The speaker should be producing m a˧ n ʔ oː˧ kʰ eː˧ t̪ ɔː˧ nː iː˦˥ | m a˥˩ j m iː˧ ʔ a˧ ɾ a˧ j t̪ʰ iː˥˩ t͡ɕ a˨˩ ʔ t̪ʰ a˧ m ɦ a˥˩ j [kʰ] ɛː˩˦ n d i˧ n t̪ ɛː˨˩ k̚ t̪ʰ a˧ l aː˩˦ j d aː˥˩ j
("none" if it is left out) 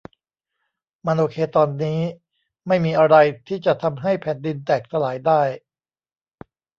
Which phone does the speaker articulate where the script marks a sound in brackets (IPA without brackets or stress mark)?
pʰ